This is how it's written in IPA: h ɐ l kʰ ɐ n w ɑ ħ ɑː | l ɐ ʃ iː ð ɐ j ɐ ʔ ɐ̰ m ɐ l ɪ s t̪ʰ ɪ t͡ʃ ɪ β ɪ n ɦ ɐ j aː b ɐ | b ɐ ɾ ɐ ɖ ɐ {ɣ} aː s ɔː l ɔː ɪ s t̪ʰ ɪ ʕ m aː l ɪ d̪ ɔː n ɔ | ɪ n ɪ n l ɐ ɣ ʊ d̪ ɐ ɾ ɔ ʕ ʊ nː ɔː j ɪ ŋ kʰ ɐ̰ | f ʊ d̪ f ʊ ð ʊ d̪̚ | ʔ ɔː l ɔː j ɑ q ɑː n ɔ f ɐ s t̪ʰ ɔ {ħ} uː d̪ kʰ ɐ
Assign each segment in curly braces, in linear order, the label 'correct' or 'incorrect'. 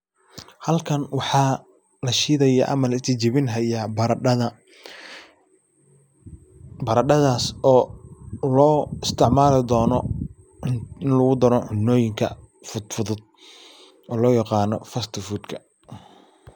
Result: incorrect: ð, incorrect: f

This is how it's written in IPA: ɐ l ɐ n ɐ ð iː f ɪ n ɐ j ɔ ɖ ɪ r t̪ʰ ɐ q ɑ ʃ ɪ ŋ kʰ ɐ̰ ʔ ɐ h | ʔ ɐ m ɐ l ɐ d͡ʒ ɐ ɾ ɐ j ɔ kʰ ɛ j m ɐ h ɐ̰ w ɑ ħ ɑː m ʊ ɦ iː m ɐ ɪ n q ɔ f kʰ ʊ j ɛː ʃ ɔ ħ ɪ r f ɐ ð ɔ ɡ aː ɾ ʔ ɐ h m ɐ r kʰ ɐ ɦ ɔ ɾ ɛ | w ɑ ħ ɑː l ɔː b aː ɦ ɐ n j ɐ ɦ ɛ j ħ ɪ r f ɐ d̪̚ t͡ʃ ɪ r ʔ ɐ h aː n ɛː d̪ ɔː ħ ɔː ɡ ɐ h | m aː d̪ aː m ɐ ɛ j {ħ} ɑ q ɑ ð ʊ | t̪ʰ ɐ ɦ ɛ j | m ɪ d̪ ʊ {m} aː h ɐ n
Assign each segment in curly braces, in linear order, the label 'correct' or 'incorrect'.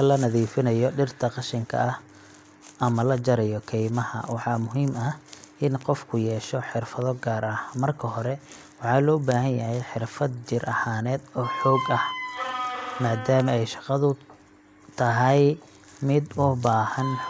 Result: incorrect: ʃ, incorrect: b

